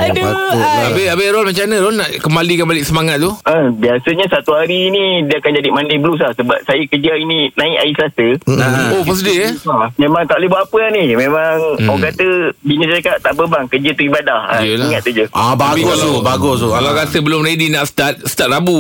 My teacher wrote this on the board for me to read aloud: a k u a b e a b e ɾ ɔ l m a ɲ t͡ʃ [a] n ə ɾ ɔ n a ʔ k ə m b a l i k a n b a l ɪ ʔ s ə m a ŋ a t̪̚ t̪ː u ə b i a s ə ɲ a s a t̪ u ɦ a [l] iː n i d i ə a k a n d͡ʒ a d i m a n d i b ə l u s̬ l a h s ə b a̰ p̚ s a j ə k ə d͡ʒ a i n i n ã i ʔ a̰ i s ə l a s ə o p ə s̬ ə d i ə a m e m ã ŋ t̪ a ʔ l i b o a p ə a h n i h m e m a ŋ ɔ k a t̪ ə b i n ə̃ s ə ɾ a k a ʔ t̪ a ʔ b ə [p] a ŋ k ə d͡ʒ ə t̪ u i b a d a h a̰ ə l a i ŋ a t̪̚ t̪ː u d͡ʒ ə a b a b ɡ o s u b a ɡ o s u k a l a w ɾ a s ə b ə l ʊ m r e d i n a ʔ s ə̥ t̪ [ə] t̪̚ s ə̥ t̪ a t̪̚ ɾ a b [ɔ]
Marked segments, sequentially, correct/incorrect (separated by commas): correct, incorrect, incorrect, incorrect, incorrect